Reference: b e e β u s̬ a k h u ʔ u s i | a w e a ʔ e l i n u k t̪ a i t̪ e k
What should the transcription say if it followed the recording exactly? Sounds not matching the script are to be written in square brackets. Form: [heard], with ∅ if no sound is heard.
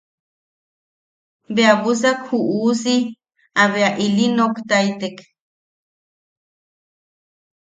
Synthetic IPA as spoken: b e [a] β u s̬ a k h u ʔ u s i | a [β] e a ʔ [i] l i n [o] k t̪ a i t̪ e k